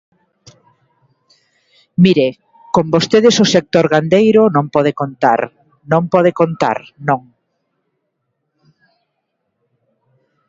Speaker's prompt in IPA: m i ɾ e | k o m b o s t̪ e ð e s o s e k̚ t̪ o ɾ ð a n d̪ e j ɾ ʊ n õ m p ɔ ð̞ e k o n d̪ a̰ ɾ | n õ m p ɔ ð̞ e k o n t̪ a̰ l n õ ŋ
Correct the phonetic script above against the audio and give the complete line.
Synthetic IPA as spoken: m i ɾ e | k o m b o s t̪ e ð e s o s e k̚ t̪ o ɾ ɣ a n d̪ e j ɾ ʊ n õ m p ɔ ð̞ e k o n t̪ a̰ ɾ | n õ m p ɔ ð̞ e k o n t̪ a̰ ɾ n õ ŋ